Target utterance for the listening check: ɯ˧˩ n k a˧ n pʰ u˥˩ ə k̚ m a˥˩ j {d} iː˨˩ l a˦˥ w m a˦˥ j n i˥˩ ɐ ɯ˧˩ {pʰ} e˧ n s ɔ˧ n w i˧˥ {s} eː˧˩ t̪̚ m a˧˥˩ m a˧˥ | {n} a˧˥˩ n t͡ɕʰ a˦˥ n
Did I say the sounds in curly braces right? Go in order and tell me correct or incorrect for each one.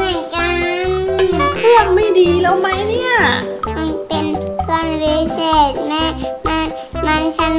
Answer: correct, incorrect: p, correct, incorrect: m

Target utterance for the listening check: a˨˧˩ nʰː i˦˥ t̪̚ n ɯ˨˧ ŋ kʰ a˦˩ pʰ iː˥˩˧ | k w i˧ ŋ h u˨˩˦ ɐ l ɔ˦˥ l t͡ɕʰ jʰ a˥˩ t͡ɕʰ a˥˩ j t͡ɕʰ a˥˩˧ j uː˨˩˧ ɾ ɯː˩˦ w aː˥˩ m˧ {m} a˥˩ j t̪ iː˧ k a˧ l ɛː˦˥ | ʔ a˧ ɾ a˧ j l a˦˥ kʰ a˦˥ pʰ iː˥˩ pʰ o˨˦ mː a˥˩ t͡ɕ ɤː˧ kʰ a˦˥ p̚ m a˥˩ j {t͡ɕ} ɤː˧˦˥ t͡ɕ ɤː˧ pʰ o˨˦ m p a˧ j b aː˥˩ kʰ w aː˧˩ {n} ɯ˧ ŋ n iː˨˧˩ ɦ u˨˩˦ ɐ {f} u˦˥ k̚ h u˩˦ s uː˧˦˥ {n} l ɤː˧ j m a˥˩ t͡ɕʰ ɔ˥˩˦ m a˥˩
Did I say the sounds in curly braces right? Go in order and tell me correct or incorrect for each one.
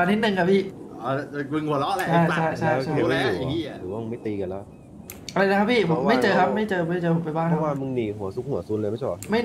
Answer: correct, correct, incorrect: m, incorrect: s, correct

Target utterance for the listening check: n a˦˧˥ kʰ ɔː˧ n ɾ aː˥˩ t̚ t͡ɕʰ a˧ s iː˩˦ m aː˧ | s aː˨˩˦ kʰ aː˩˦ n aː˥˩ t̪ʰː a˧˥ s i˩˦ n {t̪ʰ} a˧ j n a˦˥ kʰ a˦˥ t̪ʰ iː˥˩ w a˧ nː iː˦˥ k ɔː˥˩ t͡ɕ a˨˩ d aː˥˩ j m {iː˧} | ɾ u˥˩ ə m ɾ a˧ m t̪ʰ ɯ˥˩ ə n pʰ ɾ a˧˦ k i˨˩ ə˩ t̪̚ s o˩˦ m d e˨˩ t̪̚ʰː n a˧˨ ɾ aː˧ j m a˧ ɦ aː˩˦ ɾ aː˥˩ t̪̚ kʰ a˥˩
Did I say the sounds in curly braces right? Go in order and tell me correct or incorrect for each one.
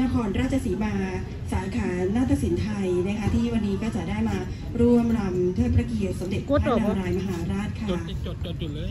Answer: correct, incorrect: aː˧

